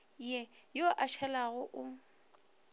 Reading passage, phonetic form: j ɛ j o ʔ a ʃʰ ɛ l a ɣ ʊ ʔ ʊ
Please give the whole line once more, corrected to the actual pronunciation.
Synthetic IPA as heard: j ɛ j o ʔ a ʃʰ ɛ l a ɣ ʊ ʔ ʊ